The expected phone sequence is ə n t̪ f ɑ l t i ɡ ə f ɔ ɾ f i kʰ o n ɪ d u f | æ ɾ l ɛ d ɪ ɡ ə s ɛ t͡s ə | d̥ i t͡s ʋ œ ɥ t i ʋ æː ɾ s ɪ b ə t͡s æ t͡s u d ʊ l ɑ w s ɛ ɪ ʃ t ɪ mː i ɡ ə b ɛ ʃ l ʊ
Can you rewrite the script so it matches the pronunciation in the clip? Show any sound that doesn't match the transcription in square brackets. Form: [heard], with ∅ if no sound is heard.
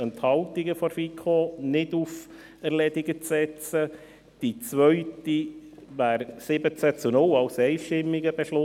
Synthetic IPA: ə n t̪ [h] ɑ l t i ɡ ə f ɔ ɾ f i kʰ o n ɪ d u f | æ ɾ l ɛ d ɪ ɡ ə [t͡s] ɛ t͡s ə | d̥ i t͡s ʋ œ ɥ t i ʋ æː ɾ s ɪ b ə t͡s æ t͡s u [n] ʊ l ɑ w s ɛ ɪ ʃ t ɪ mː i ɡ ə b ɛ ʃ l ʊ

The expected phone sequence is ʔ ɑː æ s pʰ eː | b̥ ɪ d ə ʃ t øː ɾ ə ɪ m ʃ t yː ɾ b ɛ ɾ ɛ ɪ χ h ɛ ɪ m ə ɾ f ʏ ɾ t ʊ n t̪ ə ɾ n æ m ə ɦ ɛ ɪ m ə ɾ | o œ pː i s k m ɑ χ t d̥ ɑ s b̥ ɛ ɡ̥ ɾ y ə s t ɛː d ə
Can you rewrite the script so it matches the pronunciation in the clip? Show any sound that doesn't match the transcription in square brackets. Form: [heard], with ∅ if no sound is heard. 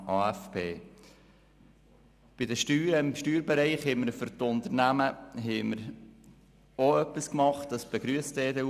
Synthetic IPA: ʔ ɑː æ [f] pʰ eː | b̥ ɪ d ə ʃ t [yː] ɾ ə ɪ m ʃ t yː ɾ b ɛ ɾ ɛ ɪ χ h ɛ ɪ m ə ɾ f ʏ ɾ t ʊ n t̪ ə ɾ n æ m ə ɦ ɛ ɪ m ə ɾ | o œ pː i s k m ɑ χ t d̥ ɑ s b̥ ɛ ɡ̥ ɾ y ə s t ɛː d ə

